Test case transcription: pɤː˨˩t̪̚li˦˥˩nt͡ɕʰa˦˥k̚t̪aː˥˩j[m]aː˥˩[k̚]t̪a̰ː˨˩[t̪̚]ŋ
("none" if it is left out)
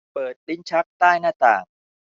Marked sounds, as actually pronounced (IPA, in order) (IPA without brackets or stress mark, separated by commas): n, none, none